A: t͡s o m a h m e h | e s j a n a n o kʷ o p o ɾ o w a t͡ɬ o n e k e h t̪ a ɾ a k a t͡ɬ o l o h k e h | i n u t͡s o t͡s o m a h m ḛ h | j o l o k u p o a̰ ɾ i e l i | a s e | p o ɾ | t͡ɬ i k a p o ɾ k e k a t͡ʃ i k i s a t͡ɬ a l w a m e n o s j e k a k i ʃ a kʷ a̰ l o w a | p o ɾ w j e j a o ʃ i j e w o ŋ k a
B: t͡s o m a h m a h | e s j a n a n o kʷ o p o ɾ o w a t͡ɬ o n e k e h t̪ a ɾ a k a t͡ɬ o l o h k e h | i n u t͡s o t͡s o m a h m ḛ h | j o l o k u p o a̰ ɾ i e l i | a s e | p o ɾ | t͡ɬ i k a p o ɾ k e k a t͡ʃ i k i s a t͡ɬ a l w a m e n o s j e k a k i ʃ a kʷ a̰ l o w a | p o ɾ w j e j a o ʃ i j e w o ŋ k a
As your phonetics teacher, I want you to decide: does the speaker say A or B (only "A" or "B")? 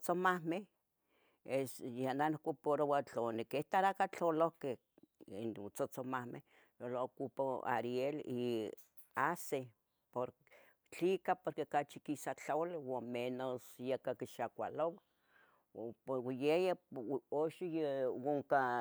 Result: A